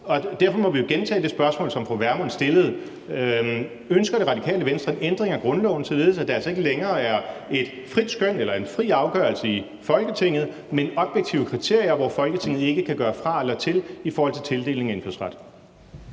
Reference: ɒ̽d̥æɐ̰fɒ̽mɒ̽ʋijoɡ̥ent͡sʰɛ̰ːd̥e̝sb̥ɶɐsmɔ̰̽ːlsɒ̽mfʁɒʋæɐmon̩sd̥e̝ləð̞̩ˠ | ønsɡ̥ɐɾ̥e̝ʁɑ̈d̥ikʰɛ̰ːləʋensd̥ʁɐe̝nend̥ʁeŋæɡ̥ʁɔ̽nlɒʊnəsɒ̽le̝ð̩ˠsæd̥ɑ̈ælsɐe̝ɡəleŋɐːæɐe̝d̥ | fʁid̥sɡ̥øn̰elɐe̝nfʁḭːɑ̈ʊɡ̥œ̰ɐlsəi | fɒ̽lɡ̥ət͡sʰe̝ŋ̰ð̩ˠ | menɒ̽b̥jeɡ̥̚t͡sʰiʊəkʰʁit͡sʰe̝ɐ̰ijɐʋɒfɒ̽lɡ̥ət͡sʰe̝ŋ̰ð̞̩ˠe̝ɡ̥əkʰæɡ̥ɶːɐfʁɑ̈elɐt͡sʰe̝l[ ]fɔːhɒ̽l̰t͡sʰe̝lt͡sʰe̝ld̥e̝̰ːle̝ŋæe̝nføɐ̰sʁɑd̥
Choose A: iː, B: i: B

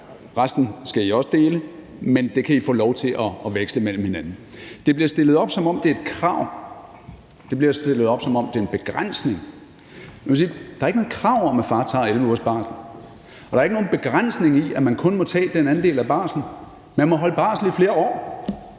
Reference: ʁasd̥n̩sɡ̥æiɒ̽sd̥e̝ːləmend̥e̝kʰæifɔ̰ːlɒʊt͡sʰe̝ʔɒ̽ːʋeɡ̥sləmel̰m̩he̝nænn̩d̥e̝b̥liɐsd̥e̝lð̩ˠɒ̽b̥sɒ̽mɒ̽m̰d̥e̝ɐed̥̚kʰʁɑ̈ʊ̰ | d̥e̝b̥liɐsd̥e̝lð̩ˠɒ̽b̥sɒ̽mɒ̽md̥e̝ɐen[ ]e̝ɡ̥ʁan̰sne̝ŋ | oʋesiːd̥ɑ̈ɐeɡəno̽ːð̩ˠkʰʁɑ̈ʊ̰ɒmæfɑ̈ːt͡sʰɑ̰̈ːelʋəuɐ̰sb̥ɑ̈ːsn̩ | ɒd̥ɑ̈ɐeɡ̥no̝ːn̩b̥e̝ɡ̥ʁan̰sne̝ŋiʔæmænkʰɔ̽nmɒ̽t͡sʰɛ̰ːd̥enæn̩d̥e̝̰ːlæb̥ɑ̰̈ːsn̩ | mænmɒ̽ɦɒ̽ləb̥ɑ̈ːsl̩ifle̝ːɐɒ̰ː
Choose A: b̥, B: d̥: A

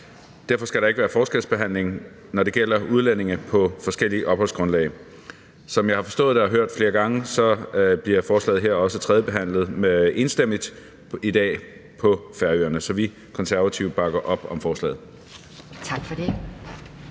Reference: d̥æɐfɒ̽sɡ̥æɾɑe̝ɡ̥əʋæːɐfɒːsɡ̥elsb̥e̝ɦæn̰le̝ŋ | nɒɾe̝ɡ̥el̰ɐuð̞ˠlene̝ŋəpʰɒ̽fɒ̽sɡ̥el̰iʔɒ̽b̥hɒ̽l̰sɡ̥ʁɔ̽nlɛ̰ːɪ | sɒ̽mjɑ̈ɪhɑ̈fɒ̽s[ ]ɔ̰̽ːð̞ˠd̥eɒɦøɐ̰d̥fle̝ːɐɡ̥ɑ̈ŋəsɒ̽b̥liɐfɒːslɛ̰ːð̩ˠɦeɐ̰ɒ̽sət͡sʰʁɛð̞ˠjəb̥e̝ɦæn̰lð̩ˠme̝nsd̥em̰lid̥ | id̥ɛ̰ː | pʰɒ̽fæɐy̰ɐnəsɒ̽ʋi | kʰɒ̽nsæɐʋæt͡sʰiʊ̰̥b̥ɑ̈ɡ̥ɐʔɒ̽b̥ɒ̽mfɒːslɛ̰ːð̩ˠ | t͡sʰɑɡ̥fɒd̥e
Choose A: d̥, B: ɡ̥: A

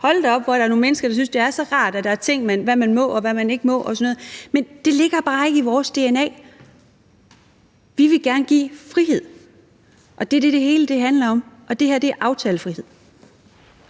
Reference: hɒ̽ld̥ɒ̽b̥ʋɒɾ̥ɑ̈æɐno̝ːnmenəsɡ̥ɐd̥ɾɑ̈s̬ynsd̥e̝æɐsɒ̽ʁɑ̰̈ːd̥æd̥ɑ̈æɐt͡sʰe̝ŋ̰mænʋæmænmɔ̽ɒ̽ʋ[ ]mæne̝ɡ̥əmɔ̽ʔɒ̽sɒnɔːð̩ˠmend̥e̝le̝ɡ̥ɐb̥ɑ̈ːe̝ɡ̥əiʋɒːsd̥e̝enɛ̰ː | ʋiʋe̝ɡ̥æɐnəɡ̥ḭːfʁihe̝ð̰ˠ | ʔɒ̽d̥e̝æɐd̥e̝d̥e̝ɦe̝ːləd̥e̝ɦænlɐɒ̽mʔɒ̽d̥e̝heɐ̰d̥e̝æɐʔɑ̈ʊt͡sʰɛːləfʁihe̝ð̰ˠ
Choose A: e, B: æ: B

